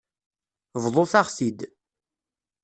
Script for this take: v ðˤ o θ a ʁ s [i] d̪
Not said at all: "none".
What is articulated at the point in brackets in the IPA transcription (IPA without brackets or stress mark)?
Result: i